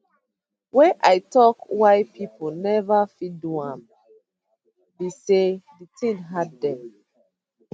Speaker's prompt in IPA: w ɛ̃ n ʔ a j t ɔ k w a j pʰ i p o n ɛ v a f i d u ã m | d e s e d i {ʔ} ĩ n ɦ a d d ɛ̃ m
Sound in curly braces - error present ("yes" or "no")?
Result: yes